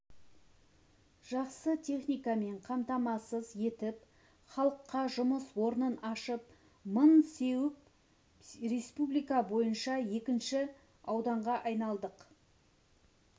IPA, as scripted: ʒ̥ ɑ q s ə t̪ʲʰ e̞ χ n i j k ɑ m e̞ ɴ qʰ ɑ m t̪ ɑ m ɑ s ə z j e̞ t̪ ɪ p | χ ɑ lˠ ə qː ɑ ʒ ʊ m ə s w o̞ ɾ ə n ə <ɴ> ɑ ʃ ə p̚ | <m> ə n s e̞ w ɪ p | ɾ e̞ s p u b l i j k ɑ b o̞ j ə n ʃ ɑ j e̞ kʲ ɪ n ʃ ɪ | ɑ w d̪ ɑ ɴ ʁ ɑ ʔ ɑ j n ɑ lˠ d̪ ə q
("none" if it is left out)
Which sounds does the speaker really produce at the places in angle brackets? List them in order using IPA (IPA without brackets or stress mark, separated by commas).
n, m